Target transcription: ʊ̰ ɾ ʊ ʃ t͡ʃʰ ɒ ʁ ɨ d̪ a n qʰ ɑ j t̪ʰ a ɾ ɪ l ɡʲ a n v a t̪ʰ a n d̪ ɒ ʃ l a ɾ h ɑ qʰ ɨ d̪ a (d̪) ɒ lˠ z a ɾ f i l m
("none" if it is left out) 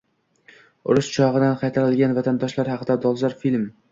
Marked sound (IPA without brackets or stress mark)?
d̪